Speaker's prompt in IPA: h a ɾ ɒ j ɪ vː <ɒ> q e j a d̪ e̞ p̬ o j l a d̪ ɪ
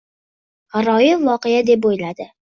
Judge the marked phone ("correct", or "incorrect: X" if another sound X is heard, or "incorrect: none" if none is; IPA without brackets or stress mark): correct